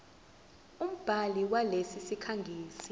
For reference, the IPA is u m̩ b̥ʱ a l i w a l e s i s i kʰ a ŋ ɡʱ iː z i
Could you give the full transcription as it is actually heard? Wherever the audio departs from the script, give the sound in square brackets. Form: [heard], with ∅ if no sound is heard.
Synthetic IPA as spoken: u m̩ b̥ʱ a l i w a l e s i s i kʰ a ŋ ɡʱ iː [s] i